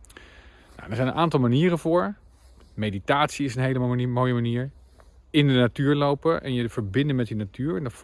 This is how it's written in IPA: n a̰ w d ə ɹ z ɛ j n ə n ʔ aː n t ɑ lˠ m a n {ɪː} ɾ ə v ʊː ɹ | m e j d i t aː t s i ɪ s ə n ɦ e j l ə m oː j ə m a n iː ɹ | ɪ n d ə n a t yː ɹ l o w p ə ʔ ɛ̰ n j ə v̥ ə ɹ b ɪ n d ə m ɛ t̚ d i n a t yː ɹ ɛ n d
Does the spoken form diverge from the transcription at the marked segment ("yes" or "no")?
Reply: yes